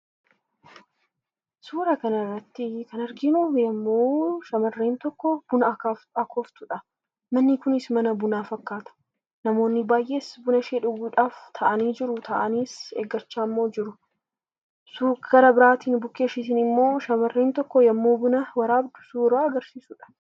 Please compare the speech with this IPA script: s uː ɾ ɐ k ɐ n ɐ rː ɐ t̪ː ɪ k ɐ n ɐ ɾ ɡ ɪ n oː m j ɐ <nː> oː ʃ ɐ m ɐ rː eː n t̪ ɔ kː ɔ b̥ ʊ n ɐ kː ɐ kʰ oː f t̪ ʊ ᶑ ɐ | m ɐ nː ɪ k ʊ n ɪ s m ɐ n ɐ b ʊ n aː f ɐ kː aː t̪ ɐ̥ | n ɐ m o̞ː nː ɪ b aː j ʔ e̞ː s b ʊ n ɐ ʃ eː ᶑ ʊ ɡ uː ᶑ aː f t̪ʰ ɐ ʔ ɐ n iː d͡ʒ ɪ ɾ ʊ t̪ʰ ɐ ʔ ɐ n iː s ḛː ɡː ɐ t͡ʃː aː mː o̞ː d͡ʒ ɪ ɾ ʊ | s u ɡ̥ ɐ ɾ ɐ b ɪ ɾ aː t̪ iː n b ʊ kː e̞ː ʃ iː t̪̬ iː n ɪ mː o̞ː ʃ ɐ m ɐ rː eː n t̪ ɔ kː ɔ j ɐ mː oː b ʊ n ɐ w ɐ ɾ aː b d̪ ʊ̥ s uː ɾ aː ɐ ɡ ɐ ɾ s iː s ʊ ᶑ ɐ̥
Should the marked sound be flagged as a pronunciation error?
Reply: yes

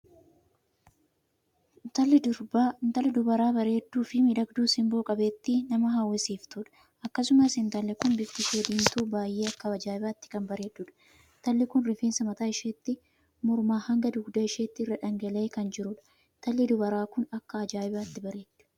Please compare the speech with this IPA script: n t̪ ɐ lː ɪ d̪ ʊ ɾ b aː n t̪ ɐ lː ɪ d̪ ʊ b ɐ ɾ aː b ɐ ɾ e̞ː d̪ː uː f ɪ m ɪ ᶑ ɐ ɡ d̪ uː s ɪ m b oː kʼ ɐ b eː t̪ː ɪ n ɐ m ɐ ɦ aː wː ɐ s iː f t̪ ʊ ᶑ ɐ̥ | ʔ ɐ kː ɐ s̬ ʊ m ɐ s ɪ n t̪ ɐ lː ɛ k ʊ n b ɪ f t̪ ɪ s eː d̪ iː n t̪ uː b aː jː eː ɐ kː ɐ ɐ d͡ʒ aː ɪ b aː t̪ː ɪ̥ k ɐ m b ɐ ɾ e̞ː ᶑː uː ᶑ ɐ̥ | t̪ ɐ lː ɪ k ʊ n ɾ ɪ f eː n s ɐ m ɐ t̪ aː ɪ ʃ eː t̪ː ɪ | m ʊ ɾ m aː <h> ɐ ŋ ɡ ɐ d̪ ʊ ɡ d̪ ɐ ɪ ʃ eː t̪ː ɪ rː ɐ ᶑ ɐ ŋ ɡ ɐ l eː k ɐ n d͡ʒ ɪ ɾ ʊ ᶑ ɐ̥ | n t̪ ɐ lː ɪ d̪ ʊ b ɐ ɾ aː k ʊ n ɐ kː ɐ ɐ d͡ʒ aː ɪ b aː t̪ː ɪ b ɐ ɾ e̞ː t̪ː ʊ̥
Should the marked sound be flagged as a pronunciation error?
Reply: no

